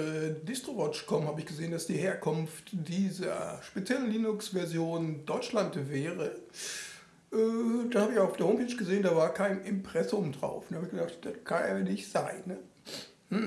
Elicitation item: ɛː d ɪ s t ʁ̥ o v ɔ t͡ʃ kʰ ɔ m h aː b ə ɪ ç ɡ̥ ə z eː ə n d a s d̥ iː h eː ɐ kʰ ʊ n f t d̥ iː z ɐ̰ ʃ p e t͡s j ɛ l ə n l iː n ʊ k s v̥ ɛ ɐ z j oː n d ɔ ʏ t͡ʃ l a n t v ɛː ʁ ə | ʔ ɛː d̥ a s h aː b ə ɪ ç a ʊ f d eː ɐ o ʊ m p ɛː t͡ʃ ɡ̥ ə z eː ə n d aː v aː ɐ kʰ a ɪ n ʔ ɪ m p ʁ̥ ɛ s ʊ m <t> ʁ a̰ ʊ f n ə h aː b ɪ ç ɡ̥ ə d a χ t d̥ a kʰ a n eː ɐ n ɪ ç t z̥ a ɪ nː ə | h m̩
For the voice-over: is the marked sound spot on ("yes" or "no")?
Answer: no